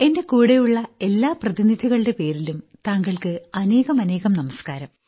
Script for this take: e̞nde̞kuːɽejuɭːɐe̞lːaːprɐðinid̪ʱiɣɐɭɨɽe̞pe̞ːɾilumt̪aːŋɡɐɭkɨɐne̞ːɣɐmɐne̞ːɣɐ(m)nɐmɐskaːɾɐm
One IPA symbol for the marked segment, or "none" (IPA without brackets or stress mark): m